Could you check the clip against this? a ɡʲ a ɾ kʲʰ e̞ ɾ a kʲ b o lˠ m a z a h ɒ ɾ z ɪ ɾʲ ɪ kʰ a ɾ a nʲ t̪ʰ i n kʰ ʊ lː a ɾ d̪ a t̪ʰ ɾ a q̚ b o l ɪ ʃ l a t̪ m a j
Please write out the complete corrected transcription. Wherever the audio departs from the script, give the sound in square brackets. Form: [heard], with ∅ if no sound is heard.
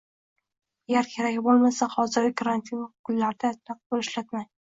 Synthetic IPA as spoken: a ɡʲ a ɾ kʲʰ e̞ ɾ a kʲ b o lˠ m a [s] a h ɒ [∅] z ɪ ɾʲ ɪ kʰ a ɾ a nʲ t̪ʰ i n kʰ ʊ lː a ɾ d̪ a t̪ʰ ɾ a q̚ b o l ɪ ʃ l a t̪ m a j